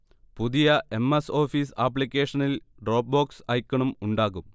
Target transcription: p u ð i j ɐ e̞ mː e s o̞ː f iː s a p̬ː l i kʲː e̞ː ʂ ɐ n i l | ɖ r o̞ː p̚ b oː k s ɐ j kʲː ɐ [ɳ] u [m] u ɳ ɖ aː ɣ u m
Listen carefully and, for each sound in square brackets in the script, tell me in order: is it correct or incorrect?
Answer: correct, correct

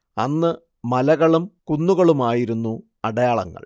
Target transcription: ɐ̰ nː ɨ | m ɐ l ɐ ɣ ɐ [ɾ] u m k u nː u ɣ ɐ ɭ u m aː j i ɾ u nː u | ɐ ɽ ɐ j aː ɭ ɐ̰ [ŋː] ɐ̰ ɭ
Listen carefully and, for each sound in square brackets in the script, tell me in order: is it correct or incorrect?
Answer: incorrect, correct

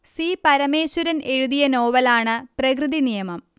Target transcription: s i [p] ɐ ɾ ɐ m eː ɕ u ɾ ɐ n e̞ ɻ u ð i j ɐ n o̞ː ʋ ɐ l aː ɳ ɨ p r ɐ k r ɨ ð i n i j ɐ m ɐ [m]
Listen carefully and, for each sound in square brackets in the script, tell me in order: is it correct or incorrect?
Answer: correct, correct

